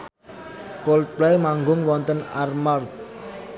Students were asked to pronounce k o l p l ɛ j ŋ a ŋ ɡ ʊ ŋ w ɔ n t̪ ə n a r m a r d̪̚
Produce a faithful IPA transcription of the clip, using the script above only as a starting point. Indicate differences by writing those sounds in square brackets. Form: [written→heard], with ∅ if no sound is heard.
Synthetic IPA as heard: k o l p l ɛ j [ŋ→m] a ŋ ɡ ʊ ŋ w ɔ n t̪ ə n a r m a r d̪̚